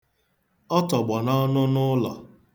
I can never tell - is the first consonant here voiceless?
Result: yes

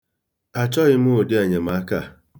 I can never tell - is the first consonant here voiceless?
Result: yes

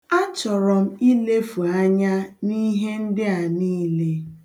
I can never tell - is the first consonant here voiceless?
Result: yes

